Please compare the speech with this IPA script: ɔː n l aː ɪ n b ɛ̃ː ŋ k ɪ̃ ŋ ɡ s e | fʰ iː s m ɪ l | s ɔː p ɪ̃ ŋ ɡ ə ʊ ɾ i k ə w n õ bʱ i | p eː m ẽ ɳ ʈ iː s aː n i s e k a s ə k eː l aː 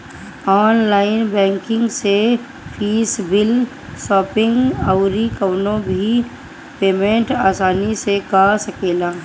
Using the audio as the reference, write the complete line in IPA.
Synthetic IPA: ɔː n l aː ɪ n b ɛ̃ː ŋ k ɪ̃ ŋ ɡ s e | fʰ iː s b ɪ l | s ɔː p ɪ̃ ŋ ɡ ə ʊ ɾ i k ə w n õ bʱ i | p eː m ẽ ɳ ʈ aː s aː n i s e k a s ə k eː l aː